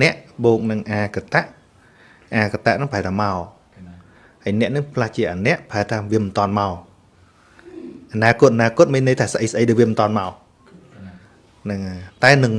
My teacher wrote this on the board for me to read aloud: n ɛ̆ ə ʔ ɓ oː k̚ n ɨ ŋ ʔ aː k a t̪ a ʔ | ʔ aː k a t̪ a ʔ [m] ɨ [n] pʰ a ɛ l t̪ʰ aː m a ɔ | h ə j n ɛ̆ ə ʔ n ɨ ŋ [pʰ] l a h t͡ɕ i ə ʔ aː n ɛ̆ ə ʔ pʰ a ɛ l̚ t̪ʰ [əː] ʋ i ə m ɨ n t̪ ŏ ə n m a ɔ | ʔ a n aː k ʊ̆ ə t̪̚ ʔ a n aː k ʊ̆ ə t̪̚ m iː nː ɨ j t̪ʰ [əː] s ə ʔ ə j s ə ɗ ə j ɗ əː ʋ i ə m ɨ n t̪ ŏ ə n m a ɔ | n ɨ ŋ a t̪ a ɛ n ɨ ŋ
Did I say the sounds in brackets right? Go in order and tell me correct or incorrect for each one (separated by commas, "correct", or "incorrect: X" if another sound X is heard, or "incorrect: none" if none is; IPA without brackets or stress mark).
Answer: incorrect: n, incorrect: ŋ, correct, incorrect: aː, incorrect: aː